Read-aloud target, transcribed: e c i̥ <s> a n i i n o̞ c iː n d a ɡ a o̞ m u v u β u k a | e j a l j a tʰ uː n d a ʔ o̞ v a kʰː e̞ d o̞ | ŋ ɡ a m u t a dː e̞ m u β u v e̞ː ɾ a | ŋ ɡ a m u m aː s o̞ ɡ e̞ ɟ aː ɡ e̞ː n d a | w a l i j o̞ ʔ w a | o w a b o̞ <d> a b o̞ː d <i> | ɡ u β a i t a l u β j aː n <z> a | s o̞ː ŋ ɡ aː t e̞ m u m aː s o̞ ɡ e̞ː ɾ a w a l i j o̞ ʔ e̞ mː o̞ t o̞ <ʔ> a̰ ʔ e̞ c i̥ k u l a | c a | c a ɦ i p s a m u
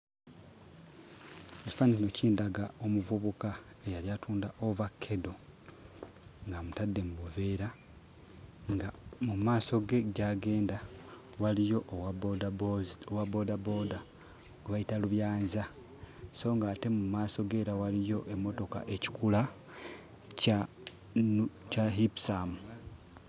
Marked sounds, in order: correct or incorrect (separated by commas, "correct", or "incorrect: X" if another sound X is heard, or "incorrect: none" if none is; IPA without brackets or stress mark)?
incorrect: f, correct, incorrect: a, correct, incorrect: k